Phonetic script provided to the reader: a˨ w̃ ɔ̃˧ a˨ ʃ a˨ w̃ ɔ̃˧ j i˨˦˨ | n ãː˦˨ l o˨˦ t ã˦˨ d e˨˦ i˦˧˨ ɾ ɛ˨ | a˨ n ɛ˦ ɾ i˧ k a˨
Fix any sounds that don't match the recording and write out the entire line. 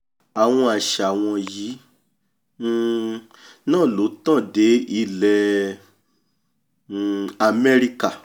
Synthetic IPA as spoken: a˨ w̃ ɔ̃˧ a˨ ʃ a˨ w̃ ɔ̃˧ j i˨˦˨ | n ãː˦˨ l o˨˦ t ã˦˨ d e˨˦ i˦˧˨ l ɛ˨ | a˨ m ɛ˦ ɾ i˧ k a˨